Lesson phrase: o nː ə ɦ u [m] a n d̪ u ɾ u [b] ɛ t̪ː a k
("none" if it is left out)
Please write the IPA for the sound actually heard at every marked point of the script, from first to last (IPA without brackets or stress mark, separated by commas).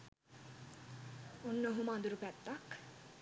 m, p